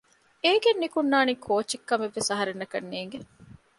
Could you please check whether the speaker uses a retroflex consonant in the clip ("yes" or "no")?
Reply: no